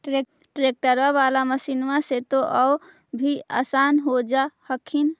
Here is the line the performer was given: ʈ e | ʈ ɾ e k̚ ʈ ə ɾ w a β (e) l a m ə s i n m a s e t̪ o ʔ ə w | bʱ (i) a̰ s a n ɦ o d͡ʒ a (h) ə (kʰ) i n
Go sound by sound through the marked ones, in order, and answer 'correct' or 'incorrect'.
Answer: incorrect: a, correct, correct, correct

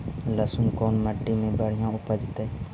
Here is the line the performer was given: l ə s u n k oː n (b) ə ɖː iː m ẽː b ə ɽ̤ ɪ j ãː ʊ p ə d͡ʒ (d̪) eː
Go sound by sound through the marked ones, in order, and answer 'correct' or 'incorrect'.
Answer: incorrect: m, incorrect: t̪

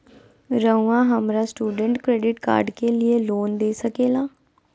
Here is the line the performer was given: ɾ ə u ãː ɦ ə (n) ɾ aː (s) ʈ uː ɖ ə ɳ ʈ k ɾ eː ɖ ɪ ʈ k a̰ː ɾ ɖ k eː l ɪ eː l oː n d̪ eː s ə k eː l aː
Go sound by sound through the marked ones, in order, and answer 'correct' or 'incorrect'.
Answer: incorrect: m, correct

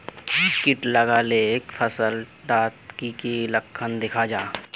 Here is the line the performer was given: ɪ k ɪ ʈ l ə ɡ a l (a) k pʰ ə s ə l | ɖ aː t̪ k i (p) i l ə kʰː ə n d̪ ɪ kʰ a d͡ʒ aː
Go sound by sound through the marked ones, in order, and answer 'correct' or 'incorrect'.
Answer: incorrect: e, incorrect: k

